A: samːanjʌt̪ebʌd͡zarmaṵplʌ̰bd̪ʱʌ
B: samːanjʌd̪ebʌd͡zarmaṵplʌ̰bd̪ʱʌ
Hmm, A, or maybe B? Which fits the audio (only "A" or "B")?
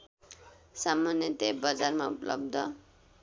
A